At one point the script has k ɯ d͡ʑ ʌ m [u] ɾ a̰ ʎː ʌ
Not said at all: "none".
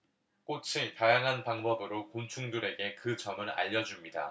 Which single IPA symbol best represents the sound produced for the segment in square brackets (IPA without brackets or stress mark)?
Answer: ɯ